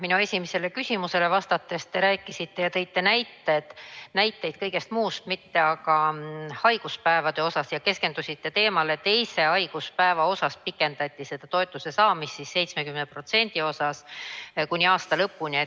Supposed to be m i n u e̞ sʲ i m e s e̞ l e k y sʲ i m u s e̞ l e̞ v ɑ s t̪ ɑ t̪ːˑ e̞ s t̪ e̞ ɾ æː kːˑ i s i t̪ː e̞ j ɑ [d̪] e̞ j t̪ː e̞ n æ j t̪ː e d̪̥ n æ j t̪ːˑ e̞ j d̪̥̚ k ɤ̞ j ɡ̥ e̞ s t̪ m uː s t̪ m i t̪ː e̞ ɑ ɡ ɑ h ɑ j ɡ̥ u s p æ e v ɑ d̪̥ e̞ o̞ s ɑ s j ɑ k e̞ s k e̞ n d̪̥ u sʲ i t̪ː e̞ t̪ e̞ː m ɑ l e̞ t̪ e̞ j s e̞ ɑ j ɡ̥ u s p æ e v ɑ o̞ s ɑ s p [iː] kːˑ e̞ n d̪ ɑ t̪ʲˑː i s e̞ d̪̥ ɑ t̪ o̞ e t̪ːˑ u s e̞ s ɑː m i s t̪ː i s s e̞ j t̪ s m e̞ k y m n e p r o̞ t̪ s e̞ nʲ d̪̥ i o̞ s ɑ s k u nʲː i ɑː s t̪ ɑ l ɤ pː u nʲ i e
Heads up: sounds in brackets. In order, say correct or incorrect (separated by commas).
incorrect, incorrect